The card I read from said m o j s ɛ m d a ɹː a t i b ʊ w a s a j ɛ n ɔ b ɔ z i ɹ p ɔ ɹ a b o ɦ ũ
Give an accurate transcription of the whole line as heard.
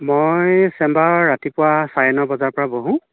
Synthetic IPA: m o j s ɛ m b a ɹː a t i p ʊ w a s a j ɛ n ɔ b ɔ z a ɹ p ɔ ɹ a b o ɦ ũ